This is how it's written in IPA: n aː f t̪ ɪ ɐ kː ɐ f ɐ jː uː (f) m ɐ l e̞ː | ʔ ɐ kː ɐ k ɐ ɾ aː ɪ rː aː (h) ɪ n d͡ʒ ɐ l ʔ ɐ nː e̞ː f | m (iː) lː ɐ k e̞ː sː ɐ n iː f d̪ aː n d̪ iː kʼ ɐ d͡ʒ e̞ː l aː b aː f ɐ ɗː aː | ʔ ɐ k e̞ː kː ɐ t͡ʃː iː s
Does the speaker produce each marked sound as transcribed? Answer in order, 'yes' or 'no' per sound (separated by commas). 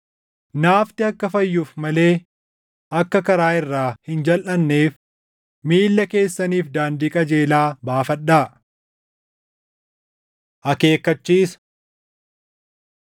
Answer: yes, yes, yes